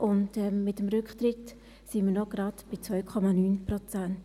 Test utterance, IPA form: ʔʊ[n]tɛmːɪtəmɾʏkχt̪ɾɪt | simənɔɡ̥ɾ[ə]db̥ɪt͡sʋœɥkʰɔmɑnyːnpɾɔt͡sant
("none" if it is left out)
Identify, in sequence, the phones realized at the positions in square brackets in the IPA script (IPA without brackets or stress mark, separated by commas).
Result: n, ɑ